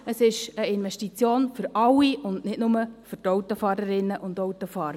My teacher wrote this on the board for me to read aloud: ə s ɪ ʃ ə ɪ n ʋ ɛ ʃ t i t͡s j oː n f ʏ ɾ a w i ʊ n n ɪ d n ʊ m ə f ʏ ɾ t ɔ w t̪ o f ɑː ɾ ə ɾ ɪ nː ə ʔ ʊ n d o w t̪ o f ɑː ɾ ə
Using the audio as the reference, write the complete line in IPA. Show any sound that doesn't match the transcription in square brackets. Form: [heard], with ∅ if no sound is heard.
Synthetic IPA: ə s ɪ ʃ ə ɪ n ʋ ɛ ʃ t i t͡s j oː n f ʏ ɾ [ɑ] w i ʊ n n ɪ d n ʊ m ə f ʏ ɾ t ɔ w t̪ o f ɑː ɾ ə ɾ ɪ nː ə ʔ ʊ n d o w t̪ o f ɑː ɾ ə